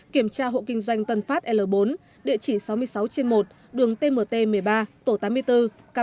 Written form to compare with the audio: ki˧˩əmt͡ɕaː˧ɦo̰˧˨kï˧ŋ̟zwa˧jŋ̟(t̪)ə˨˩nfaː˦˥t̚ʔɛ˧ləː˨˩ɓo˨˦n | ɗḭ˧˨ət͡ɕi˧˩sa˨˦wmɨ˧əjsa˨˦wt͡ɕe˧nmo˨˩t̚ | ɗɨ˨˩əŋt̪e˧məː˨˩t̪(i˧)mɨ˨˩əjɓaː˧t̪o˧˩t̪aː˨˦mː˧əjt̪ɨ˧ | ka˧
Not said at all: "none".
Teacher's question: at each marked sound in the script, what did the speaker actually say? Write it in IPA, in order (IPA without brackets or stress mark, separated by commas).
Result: t̪, e˧